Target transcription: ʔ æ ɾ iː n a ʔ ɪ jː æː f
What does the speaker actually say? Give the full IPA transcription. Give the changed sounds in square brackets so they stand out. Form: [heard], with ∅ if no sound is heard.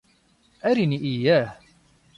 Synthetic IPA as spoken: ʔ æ ɾ [i] n [i] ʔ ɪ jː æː [h]